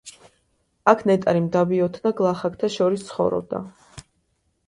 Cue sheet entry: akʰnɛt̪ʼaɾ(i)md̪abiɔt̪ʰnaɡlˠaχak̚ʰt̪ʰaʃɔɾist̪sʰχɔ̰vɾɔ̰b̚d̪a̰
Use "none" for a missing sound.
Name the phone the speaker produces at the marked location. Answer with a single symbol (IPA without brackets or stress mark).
i